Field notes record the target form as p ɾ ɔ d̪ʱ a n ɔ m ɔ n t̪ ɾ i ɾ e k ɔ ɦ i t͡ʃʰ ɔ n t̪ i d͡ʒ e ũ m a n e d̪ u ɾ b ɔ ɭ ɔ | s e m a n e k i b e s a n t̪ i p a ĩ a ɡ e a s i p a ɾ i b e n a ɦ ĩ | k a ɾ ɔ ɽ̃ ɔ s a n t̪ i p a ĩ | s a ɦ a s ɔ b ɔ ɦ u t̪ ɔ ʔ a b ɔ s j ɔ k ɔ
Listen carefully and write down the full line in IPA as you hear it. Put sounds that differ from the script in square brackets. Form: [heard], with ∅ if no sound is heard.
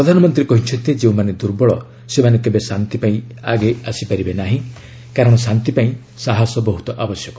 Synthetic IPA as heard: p ɾ ɔ d̪ʱ a n ɔ m ɔ n t̪ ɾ i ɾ e k ɔ ɦ i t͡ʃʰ ɔ n t̪ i d͡ʒ e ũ m a n e d̪ u ɾ b ɔ ɭ ɔ | s e m a n e k [e] b e s a n t̪ i p a ĩ a ɡ e a s i p a ɾ i b e n a ɦ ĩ | k a ɾ ɔ ɽ̃ ɔ s a n t̪ i p a ĩ | s a ɦ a s ɔ b ɔ ɦ u t̪ ɔ ʔ a b ɔ s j ɔ k ɔ

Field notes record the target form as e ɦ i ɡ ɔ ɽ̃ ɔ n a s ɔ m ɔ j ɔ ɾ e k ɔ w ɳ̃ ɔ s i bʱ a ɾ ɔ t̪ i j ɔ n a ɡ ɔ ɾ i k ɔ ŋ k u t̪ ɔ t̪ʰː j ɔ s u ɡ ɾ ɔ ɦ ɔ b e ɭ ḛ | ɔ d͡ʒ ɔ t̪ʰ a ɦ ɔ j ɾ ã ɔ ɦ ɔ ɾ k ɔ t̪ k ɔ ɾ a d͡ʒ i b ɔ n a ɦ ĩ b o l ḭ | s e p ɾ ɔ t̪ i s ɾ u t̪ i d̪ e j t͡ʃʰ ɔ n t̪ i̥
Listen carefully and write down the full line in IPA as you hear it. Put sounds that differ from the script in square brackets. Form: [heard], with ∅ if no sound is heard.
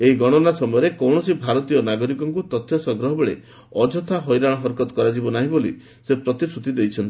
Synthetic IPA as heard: e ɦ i ɡ ɔ ɽ̃ ɔ n a s ɔ m ɔ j ɔ ɾ e k ɔ w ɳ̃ ɔ s i bʱ a ɾ ɔ t̪ i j ɔ n a ɡ ɔ ɾ i k ɔ ŋ k u t̪ ɔ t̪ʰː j ɔ s [ɔ] ɡ ɾ ɔ ɦ ɔ b e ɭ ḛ | ɔ d͡ʒ ɔ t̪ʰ a ɦ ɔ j ɾ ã ɔ ɦ ɔ ɾ k ɔ t̪ k ɔ ɾ a d͡ʒ i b ɔ n a ɦ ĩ b o l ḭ | s e p ɾ ɔ t̪ i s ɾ u t̪ i d̪ e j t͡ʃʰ ɔ n t̪ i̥

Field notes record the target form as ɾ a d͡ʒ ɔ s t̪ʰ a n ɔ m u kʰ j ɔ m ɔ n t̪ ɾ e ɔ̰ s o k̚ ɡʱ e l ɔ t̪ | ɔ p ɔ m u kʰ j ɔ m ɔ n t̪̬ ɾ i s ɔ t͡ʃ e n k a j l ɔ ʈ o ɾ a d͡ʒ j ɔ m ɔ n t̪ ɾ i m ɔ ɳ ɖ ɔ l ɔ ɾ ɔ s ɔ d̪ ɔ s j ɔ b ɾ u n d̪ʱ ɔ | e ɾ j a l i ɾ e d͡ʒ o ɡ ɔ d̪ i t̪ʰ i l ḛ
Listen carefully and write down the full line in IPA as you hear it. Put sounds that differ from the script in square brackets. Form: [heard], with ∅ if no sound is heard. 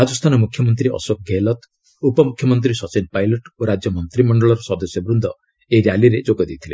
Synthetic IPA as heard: ɾ a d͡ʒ ɔ s t̪ʰ a n ɔ m u kʰ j ɔ m ɔ n t̪ ɾ [i] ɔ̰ s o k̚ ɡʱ e l ɔ t̪ | [u] p ɔ m u kʰ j ɔ m ɔ n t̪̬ ɾ i s ɔ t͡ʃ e n [p] a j l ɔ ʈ o ɾ a d͡ʒ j ɔ m ɔ n t̪ ɾ i m ɔ ɳ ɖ ɔ [ɭ] ɔ ɾ ɔ s ɔ d̪ ɔ s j ɔ b ɾ u n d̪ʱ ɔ | e ɾ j a l i ɾ e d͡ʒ o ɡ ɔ d̪ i t̪ʰ i l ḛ

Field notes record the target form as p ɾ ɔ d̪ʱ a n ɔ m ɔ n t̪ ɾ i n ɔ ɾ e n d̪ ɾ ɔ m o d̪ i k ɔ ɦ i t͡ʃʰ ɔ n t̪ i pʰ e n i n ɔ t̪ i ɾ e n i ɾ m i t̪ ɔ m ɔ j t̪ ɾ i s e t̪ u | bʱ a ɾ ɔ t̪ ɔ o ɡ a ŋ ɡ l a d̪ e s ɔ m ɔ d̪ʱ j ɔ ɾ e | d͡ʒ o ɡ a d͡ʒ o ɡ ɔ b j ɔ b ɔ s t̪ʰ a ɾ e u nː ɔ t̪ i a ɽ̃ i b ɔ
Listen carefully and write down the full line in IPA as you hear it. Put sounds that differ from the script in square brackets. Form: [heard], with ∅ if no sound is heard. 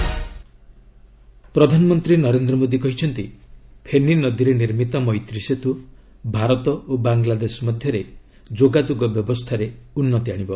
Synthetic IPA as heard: p ɾ ɔ d̪ʱ a n ɔ m ɔ n t̪ ɾ i n ɔ ɾ e n d̪ ɾ ɔ m o d̪ i k ɔ ɦ i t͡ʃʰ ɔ n t̪ i pʰ e n i n ɔ [d̪] i ɾ e n i ɾ m i t̪ ɔ m ɔ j t̪ ɾ i s e t̪ u | bʱ a ɾ ɔ t̪ ɔ o [b] a ŋ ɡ l a d̪ e s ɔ m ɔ d̪ʱ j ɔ ɾ e | d͡ʒ o ɡ a d͡ʒ o ɡ ɔ b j ɔ b ɔ s t̪ʰ a ɾ e u nː ɔ t̪ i a ɽ̃ i b ɔ

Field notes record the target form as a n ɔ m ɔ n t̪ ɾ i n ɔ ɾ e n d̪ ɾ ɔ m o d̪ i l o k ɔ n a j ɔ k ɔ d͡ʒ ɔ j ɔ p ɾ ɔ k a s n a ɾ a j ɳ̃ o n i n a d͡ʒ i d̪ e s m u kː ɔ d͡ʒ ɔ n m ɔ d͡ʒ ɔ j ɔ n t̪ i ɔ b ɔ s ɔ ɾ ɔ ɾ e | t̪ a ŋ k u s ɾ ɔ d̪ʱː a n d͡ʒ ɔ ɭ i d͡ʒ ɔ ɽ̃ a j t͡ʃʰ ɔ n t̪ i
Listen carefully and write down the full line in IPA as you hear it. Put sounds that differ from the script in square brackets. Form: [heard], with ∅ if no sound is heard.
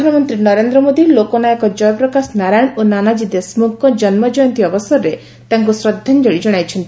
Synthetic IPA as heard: a n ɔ m ɔ n t̪ ɾ i n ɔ ɾ e n d̪ ɾ ɔ m o d̪ i l o k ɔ n a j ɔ k ɔ d͡ʒ ɔ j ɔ p ɾ ɔ k a s n a ɾ a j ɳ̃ o n [a] n a d͡ʒ i d̪ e s m u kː ɔ d͡ʒ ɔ n m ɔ d͡ʒ ɔ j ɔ n t̪ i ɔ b ɔ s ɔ ɾ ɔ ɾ e | t̪ a ŋ k u s ɾ ɔ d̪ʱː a n d͡ʒ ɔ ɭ i d͡ʒ ɔ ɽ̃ a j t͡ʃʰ ɔ n t̪ i

